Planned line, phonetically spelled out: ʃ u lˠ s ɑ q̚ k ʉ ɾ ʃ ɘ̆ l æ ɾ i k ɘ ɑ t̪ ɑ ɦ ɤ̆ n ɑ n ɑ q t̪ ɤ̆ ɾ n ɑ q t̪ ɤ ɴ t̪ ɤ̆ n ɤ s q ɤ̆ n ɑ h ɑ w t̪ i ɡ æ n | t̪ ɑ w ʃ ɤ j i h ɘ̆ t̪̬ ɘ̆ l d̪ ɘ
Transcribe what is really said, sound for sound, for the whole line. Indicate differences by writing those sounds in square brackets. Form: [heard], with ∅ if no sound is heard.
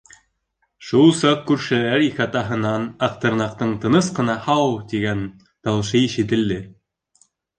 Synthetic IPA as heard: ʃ u lˠ s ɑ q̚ k ʉ ɾ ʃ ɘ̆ l æ ɾ i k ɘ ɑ t̪ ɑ ɦ ɤ̆ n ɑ n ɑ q t̪ ɤ̆ ɾ n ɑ q t̪ ɤ ɴ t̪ ɤ̆ n ɤ s q ɤ̆ n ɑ h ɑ w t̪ i ɡ æ n | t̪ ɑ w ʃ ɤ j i [ʃ] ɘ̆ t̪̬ ɘ̆ l d̪ ɘ